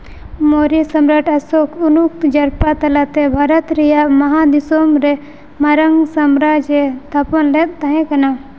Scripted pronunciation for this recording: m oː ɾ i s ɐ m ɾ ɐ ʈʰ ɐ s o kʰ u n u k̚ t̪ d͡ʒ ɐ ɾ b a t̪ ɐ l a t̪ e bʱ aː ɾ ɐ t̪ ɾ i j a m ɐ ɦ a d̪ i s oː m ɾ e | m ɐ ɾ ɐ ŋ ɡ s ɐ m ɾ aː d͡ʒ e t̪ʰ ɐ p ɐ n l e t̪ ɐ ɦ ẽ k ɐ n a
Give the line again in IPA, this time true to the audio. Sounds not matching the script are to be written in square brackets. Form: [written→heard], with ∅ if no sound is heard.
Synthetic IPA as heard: m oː ɾ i s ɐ m ɾ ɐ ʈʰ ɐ s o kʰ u n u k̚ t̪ d͡ʒ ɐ ɾ [b→p] a t̪ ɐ l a t̪ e bʱ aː ɾ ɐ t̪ ɾ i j a m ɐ ɦ a d̪ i s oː m ɾ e | m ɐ ɾ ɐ ŋ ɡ s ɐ m ɾ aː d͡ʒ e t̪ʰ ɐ p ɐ n l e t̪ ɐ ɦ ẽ k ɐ n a

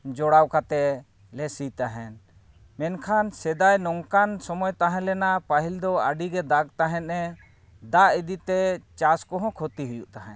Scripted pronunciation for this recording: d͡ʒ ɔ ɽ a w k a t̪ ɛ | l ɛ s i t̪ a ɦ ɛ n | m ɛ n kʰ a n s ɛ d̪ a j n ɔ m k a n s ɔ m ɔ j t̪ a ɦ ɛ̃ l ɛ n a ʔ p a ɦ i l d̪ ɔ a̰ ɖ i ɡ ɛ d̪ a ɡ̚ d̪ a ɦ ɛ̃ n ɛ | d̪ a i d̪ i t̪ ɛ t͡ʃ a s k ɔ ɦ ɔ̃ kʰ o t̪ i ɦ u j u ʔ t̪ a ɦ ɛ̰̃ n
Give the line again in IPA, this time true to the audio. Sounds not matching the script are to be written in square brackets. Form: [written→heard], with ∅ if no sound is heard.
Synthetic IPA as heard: d͡ʒ ɔ ɽ a w k a t̪ ɛ | l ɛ s i t̪ a ɦ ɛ n | m ɛ n kʰ a n s ɛ d̪ a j n ɔ [m→ŋ] k a n s ɔ m ɔ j t̪ a ɦ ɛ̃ l ɛ n a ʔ p a ɦ i l d̪ ɔ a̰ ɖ i ɡ ɛ d̪ a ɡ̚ [d̪→t̪] a ɦ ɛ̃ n ɛ | d̪ a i d̪ i t̪ ɛ t͡ʃ a s k ɔ ɦ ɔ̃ kʰ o t̪ i ɦ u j u ʔ t̪ a ɦ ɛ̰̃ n

